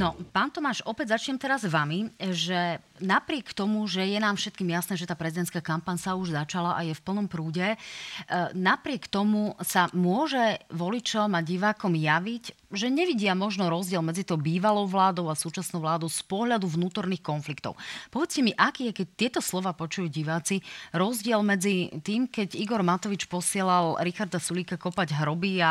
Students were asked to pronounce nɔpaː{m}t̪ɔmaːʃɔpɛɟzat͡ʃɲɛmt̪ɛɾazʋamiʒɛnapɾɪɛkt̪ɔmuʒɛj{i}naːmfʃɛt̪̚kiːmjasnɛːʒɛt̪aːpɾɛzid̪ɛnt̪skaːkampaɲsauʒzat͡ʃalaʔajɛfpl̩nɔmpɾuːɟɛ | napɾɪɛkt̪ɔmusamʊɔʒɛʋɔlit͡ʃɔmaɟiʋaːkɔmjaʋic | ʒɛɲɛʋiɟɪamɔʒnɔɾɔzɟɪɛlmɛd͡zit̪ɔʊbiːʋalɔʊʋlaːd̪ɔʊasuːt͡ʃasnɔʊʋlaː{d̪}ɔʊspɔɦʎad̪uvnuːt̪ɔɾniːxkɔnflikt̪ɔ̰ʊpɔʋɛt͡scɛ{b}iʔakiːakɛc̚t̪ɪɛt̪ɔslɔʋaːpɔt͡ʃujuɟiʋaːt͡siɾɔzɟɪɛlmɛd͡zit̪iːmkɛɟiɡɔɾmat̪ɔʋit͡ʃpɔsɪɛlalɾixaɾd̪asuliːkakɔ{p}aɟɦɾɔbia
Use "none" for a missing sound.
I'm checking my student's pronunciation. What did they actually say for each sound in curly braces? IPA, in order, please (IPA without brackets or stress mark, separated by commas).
n, ɛ, d̪, m, p